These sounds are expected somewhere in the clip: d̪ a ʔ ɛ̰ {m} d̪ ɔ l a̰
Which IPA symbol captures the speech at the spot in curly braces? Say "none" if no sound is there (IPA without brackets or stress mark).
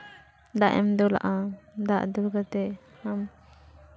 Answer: m